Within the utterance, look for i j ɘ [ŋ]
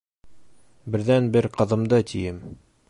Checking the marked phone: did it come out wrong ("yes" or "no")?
yes